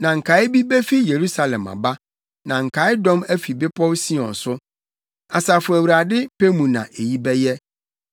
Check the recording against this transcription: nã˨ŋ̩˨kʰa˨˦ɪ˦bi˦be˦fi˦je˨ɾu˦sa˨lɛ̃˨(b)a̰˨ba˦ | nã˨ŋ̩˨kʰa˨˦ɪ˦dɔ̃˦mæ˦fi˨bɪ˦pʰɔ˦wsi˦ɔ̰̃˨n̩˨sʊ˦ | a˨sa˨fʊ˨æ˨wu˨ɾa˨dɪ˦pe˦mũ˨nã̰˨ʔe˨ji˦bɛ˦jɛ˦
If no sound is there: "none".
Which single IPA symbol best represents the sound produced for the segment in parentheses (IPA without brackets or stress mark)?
m